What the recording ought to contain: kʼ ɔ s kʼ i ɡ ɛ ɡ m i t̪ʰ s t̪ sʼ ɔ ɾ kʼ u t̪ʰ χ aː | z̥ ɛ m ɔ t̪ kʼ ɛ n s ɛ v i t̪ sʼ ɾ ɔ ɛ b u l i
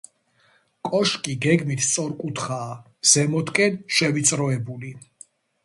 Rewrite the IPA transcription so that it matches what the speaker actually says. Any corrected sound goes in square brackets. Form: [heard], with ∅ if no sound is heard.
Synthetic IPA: kʼ ɔ [ʃ] kʼ i ɡ ɛ ɡ m i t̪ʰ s t̪ sʼ ɔ ɾ kʼ u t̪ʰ χ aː | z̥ ɛ m ɔ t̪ kʼ ɛ n [ʃ] ɛ v i t̪ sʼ ɾ ɔ ɛ b u l i